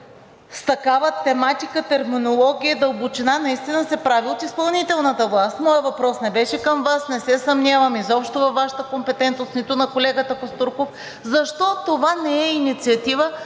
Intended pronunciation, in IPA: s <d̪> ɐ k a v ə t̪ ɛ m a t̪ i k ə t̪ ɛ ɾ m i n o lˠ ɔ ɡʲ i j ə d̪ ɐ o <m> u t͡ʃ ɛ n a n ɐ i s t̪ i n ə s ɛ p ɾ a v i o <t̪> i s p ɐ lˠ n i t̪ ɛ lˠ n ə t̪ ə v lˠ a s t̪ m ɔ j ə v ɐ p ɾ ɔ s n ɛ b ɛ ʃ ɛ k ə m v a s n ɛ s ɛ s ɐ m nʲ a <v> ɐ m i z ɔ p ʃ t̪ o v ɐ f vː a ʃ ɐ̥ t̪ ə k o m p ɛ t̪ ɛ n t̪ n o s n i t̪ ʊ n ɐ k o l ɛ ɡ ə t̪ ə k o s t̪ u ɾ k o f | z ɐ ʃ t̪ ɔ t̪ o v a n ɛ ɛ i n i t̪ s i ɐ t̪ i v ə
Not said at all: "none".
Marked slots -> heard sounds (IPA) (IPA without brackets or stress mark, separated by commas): t̪, b, t̪, v